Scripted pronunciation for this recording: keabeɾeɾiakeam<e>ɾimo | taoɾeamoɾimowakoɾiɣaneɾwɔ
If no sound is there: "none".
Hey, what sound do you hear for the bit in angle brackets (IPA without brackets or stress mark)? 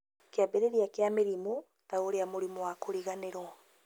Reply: e